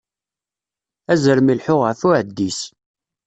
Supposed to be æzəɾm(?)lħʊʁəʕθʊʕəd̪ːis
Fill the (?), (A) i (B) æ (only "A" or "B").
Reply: A